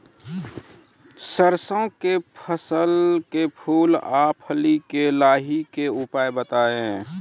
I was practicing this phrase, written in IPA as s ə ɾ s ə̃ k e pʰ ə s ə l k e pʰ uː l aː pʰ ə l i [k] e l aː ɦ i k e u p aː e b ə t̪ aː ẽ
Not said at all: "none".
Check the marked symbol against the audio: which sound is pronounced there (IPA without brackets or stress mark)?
k